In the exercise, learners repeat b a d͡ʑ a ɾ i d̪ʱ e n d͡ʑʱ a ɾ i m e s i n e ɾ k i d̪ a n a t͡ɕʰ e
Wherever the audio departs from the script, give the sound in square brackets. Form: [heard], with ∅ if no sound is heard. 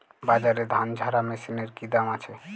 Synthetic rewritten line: b a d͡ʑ a ɾ [e] d̪ʱ [a] n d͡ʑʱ a ɾ [a] m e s i n e ɾ k i d̪ a [m] a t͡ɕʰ e